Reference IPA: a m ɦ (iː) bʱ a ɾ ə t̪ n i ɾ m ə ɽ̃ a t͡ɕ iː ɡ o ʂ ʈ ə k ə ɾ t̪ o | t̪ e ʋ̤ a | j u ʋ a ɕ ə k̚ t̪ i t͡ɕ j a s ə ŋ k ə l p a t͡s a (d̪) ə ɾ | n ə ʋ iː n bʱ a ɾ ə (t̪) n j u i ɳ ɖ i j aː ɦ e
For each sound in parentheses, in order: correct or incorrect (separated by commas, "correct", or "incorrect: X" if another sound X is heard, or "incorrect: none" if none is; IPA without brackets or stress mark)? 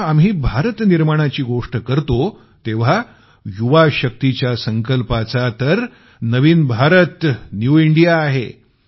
correct, incorrect: t̪, correct